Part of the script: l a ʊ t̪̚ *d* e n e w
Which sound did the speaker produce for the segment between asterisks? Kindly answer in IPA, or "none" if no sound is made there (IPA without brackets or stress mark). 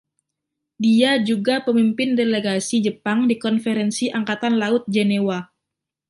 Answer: d͡ʒ